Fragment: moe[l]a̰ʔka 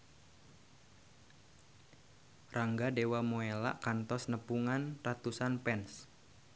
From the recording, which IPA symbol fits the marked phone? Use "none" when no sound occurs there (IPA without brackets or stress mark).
l